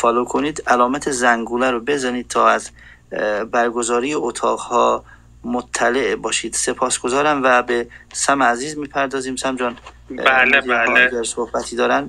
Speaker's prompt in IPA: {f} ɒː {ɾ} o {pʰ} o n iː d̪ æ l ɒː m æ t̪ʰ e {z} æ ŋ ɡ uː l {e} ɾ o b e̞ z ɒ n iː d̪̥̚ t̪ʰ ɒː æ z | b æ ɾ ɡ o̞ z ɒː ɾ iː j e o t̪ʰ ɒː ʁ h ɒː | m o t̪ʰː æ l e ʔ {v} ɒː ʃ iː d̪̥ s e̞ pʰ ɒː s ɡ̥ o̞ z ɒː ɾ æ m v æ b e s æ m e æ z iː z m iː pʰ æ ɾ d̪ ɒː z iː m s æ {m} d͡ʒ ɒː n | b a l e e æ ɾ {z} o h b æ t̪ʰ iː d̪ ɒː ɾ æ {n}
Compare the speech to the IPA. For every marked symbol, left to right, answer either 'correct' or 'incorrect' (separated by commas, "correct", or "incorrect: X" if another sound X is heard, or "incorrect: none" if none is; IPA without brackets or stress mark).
correct, incorrect: l, incorrect: kʰ, correct, incorrect: æ, incorrect: b, correct, incorrect: s, correct